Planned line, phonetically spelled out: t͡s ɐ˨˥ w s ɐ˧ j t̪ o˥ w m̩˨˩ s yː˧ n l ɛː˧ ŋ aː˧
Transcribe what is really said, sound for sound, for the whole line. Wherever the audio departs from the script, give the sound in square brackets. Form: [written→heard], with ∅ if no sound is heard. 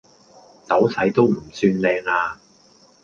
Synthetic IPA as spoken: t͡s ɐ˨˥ w s [ɐ˧→ɐ˨˥] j t̪ o˥ w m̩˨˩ s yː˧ n l ɛː˧ ŋ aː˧